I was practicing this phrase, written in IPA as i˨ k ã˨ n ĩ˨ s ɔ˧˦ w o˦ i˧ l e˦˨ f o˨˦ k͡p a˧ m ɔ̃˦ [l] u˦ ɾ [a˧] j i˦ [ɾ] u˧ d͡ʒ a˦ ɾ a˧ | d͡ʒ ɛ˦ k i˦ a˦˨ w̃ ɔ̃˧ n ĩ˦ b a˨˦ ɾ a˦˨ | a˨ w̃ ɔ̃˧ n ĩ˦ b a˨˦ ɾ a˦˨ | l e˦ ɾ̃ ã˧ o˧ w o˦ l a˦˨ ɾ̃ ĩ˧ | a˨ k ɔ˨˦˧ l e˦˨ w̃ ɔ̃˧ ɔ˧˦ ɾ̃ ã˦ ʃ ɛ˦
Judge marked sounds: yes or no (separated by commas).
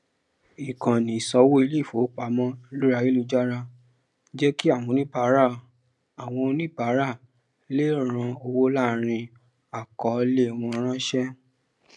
yes, yes, no